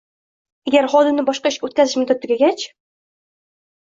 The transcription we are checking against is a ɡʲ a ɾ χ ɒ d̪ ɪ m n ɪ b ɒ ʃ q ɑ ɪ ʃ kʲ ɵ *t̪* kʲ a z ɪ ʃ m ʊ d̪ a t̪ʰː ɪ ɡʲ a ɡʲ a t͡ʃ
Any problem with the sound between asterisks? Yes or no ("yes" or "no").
no